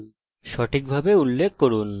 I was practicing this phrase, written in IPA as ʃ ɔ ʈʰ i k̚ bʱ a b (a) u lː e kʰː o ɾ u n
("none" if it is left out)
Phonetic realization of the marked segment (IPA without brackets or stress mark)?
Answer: e